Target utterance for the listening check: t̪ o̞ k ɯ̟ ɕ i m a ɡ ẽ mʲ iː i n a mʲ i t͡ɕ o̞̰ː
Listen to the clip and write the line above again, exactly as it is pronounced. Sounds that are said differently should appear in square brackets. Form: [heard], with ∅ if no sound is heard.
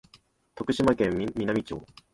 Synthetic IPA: t̪ o̞ k ɯ̟ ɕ i m a [k] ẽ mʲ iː i n a mʲ i t͡ɕ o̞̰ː